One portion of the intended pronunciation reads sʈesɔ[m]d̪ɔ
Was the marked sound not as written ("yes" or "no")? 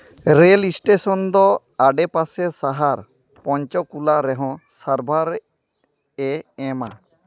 yes